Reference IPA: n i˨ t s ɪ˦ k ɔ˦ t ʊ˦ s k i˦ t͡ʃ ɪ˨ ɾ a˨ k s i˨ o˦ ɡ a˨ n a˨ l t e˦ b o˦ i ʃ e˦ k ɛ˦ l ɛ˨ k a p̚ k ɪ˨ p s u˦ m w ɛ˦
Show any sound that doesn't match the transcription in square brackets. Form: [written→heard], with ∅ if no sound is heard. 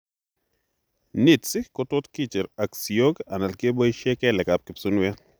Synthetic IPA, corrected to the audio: n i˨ t s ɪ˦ k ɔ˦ t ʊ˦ [s→t] k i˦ t͡ʃ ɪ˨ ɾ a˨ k s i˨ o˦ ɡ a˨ n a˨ l [t→k] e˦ b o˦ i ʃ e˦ k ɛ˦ l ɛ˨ k a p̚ k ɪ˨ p s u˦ [m→n] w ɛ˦